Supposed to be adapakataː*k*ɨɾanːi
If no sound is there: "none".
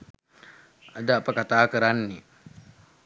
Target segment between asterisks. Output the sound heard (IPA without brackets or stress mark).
k